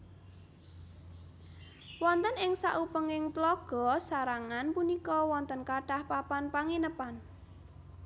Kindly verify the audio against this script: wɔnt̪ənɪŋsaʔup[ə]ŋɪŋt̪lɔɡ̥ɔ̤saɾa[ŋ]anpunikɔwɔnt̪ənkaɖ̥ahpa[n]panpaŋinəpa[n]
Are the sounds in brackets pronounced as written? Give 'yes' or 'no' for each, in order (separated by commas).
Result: yes, yes, no, yes